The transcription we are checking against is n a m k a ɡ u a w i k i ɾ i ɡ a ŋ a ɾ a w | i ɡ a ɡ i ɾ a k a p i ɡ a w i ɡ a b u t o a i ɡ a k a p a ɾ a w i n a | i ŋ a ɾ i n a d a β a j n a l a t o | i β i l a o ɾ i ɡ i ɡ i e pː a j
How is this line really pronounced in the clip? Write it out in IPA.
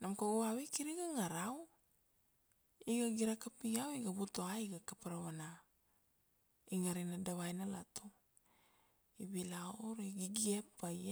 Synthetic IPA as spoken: n a m k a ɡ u a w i k i ɾ i ɡ a ŋ a ɾ a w | i ɡ a ɡ i ɾ a k a p i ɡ a w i ɡ a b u t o a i ɡ a k a p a ɾ a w a n a | i ŋ a ɾ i n a d a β a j n a l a t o | i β i l a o ɾ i ɡ i ɡ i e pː a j